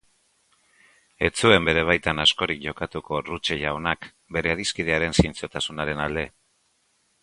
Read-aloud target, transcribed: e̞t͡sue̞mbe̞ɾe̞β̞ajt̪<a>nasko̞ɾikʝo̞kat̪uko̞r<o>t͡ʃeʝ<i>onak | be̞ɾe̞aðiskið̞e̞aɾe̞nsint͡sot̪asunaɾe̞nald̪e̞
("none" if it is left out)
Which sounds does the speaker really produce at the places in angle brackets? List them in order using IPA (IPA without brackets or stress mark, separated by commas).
a, u, a